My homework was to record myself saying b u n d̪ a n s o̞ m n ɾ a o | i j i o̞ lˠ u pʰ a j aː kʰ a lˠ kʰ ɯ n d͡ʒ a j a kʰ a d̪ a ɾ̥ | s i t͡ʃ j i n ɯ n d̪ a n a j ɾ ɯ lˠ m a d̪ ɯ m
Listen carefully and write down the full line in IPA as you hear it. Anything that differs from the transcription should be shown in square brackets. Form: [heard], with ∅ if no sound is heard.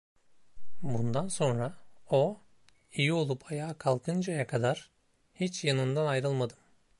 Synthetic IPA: b u n d̪ a n s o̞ [∅] n ɾ a o | i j i o̞ lˠ u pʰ a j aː kʰ a lˠ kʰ ɯ n d͡ʒ a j a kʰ a d̪ a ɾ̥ | [h] i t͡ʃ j [a] n ɯ n d̪ a n a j ɾ ɯ lˠ m a d̪ ɯ m